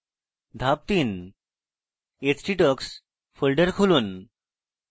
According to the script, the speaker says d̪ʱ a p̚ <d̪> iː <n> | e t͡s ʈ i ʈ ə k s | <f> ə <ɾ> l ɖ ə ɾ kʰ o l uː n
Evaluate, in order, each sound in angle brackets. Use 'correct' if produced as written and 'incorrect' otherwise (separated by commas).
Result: incorrect, correct, correct, incorrect